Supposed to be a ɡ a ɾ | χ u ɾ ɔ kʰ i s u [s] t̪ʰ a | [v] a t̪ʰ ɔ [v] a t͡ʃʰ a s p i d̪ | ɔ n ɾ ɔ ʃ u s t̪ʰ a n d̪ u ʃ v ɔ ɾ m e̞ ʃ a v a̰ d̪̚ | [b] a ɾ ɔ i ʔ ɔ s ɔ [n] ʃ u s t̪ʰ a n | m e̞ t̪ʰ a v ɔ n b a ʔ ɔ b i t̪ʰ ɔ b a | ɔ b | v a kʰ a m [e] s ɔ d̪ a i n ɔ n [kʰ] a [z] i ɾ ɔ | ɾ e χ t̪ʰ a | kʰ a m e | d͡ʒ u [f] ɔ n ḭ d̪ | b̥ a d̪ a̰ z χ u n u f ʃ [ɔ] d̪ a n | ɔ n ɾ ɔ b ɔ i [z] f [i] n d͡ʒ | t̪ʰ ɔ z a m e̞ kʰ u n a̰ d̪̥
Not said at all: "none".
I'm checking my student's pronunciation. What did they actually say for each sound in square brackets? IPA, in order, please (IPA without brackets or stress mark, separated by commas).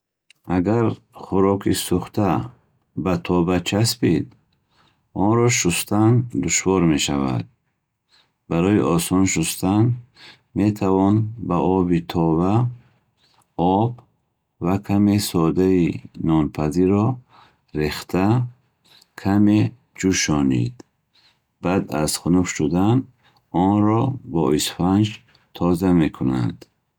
χ, b, b, b, n, e, pʰ, z, ʃ, u, s, a